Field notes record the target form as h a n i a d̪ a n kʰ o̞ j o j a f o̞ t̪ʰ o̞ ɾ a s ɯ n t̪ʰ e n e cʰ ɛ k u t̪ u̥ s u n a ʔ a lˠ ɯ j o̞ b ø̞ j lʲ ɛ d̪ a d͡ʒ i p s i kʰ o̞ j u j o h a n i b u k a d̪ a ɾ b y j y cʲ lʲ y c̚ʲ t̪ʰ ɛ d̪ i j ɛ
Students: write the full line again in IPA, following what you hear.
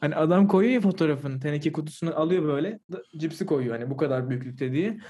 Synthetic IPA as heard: h a n i a d̪ a m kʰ o̞ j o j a f o̞ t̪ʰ o̞ ɾ a f ɯ n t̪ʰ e n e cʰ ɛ k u t̪ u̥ s u n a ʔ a lˠ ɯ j o̞ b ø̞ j lʲ ɛ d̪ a d͡ʒ i p s i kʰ o̞ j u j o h a n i b u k a d̪ a ɾ b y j y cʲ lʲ y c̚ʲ t̪ʰ ɛ d̪ i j ɛ